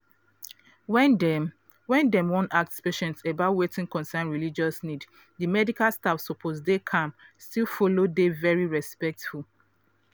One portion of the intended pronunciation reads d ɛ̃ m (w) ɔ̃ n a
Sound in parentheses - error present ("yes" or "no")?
no